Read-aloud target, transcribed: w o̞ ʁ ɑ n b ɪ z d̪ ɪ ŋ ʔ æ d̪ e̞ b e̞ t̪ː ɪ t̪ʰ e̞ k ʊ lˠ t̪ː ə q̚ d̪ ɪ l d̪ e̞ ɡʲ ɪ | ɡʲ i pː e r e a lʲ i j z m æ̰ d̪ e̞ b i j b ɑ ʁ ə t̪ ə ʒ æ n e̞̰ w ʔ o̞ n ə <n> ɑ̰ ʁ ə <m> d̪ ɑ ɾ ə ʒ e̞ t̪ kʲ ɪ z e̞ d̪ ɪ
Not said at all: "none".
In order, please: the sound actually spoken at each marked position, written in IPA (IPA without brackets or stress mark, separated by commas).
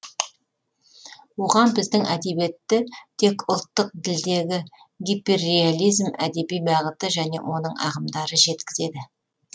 ɴ, m